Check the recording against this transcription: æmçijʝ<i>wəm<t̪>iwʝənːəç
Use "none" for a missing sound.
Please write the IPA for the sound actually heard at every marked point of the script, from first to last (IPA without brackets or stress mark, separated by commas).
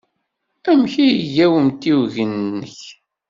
æ, t̪